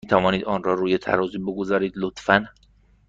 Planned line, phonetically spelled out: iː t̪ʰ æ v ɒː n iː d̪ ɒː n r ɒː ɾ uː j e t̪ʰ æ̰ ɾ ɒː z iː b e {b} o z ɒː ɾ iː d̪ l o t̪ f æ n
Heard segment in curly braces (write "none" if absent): ɡ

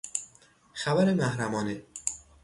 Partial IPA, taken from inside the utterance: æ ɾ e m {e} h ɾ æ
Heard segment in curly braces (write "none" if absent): æ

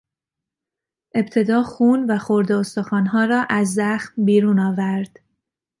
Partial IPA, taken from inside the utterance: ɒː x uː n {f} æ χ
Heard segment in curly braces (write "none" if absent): v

